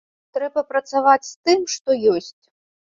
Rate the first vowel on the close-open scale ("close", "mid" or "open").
mid